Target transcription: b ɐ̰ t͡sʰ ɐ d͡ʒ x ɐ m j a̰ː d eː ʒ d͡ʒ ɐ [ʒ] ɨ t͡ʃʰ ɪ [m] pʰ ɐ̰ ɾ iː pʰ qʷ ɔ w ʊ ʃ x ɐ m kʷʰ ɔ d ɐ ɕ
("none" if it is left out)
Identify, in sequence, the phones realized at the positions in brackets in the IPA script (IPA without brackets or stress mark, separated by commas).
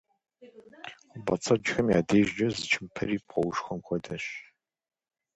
z, m